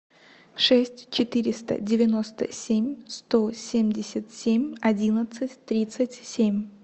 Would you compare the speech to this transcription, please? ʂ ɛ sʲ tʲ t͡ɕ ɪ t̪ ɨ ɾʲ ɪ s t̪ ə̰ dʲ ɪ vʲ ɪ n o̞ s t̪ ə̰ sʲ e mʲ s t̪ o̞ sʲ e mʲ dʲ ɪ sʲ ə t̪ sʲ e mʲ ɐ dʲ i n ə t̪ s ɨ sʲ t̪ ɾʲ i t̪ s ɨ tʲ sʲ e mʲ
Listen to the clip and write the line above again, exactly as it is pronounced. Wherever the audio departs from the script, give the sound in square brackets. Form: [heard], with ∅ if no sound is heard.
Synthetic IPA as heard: ʂ ɛ sʲ tʲ t͡ɕ ɪ t̪ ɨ ɾʲ ɪ s t̪ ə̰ dʲ ɪ vʲ ɪ n o̞ s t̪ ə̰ sʲ e mʲ s t̪ o̞ sʲ e mʲ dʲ ɪ sʲ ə t̪ sʲ e mʲ ɐ dʲ i n ə t̪ s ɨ [tʲ] t̪ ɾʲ i t̪ s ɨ tʲ sʲ e mʲ